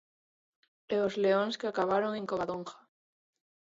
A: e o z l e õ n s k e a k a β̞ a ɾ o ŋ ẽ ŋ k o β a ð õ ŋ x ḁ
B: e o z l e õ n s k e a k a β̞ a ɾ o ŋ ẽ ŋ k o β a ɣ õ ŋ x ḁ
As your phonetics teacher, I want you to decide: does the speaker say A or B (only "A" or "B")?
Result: A